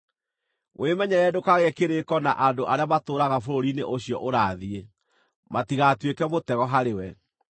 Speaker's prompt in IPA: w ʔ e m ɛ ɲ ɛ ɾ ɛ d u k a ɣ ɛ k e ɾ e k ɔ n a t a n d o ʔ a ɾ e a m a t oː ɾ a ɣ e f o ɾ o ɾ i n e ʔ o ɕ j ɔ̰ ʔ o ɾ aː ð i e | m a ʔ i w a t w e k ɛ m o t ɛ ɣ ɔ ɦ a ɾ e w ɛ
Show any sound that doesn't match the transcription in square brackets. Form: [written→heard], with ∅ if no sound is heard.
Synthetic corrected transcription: w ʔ e m ɛ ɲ ɛ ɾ ɛ d [u→o] k a ɣ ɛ k e ɾ e k ɔ n a [t→ʔ] a n d o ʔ a ɾ e a m a t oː ɾ a ɣ [e→a] f o ɾ o ɾ i n e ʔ o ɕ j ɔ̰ ʔ o ɾ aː ð i e | m a [ʔ→t] i [w→ɣ] a t w e k ɛ m o t ɛ ɣ ɔ ɦ a ɾ e w ɛ